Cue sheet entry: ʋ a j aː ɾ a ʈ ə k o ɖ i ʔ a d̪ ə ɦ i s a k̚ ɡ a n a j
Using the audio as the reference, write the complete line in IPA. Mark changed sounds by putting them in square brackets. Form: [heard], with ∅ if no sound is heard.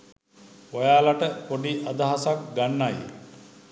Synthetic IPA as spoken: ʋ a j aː [l] a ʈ ə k o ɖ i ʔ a d̪ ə ɦ [a] s a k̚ ɡ a [nː] a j